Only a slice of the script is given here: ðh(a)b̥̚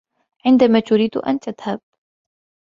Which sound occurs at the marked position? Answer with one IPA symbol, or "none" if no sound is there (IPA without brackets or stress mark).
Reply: a